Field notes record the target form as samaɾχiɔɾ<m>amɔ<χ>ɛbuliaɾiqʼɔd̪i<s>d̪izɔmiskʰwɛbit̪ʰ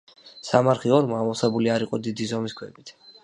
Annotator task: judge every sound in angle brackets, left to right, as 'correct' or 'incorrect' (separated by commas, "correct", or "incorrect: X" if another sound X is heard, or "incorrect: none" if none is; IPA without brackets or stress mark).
correct, incorrect: s, incorrect: none